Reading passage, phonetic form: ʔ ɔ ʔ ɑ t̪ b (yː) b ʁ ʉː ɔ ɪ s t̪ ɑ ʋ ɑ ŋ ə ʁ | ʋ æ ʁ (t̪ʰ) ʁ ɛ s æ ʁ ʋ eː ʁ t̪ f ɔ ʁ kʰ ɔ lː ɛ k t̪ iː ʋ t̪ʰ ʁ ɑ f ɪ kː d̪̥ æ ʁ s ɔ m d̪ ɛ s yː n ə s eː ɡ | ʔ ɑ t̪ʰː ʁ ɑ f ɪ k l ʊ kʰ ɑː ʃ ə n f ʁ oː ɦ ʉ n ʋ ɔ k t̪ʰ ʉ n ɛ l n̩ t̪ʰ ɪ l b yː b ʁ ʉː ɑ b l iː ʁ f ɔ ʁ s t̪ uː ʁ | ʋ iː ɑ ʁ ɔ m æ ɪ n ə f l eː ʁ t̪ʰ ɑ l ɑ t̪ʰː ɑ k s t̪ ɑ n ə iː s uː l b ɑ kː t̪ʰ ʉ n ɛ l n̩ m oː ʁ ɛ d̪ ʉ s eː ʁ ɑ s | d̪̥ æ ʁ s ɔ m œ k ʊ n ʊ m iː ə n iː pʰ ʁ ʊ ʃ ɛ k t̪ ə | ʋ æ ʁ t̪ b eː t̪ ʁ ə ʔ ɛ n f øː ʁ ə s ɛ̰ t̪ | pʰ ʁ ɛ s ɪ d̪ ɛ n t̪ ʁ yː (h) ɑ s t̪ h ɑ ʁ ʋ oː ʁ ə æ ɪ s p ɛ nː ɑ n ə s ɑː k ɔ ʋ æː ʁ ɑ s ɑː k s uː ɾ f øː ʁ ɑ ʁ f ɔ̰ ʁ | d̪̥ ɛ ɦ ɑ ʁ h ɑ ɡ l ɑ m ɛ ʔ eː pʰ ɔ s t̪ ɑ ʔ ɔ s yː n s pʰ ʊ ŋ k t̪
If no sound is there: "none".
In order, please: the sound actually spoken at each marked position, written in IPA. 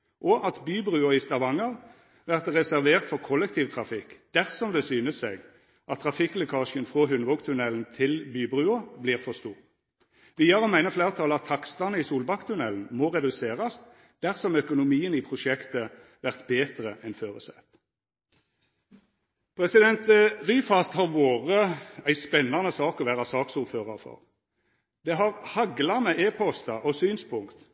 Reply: yː, t̪, f

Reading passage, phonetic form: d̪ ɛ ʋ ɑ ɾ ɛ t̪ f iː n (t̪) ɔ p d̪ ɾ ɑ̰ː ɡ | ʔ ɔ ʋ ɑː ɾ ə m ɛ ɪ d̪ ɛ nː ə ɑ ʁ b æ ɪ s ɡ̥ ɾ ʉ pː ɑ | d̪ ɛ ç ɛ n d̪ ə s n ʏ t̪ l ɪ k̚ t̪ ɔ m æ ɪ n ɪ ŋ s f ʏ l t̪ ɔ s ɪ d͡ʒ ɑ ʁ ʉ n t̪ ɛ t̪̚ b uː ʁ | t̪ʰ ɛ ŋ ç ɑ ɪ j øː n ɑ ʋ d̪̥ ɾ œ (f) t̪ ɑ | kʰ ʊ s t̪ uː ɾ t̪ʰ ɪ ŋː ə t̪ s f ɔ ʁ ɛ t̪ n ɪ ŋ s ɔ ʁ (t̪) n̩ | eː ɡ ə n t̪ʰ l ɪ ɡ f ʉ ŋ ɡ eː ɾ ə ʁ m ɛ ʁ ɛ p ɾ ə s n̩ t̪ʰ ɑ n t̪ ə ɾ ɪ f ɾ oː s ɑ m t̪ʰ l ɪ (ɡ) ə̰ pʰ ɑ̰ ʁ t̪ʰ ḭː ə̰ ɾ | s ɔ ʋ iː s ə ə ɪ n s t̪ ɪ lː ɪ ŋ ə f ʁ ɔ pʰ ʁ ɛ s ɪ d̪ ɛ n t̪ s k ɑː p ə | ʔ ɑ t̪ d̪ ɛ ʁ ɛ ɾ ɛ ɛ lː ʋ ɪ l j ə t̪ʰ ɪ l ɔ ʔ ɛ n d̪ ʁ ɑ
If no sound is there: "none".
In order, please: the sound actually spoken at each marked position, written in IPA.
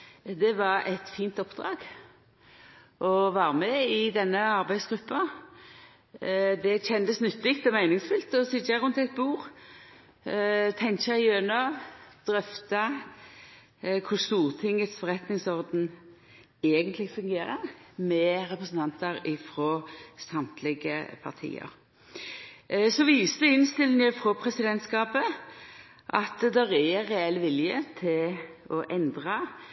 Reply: t̪, f, d̪, ɡ

